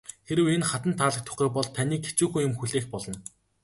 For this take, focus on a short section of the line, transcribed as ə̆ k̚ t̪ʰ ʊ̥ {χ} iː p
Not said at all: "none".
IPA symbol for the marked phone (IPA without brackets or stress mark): χ